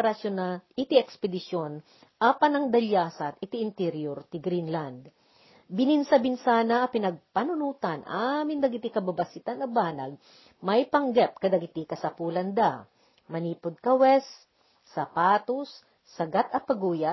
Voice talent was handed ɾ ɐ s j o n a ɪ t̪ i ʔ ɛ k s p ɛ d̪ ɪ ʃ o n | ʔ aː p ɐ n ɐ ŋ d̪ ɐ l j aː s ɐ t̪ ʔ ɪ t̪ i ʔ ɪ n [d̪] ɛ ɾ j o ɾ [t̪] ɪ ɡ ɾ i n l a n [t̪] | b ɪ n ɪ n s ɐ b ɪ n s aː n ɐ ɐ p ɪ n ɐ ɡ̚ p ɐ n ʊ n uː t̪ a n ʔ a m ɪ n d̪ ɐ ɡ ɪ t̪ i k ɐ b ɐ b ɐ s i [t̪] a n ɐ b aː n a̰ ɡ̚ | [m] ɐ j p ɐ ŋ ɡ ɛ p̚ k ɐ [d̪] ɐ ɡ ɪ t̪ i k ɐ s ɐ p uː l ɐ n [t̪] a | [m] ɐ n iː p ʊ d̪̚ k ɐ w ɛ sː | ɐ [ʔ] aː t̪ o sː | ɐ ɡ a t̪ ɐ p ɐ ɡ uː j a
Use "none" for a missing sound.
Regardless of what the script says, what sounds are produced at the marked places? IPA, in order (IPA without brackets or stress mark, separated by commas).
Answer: t̪, t̪, d̪, t̪, m, d̪, d̪, m, p